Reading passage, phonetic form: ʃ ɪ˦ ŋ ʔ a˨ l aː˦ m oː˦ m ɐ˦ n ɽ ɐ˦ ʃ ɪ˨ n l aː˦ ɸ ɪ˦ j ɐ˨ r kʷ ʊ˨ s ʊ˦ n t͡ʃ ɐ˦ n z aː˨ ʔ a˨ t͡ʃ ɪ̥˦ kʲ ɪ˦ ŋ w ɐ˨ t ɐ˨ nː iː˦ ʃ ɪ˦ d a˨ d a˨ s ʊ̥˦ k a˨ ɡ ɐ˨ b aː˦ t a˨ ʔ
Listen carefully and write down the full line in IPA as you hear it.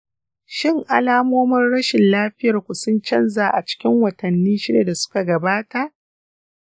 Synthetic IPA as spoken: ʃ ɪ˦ ŋ ʔ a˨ l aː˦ m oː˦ m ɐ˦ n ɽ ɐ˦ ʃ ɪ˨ n l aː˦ ɸ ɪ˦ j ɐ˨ r kʷ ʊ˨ s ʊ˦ n t͡ʃ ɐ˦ n z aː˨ ʔ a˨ t͡ʃ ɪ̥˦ kʲ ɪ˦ ŋ w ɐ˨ t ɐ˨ nː iː˦ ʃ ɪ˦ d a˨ d a˨ s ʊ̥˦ k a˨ ɡ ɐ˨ b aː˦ t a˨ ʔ